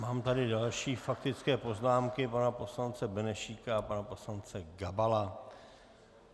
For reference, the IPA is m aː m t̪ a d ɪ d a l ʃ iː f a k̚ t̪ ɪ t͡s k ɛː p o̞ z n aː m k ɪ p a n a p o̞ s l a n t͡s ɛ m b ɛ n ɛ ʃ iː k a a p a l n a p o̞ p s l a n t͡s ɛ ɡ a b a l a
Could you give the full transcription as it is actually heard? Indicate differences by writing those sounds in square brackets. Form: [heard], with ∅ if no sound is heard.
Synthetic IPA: m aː m t̪ a d ɪ d a l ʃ iː f a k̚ t̪ ɪ t͡s k ɛː p o̞ z n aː m k ɪ p a n a p o̞ s l a n t͡s ɛ [∅] b ɛ n ɛ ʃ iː k a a p a [∅] n a p o̞ [∅] s l a n t͡s ɛ ɡ a b a l a